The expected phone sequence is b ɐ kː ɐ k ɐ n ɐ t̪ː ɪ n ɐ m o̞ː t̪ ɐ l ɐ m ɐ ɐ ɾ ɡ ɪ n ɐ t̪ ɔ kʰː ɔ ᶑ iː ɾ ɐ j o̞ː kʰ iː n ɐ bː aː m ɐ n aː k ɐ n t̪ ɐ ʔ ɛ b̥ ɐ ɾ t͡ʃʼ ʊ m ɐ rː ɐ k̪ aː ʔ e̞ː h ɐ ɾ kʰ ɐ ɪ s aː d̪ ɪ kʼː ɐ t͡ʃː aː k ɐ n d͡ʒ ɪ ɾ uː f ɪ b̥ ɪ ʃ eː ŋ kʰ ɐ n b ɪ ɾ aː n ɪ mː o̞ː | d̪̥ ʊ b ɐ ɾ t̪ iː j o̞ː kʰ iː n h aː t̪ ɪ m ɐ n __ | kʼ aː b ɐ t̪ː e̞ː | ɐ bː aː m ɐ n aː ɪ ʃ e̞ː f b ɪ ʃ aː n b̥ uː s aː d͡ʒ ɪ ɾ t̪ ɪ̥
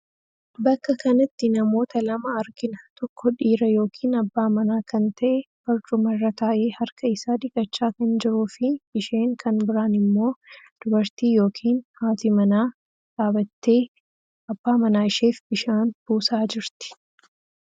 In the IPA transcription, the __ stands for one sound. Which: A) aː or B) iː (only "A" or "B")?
A